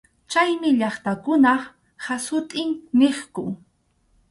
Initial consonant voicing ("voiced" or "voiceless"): voiceless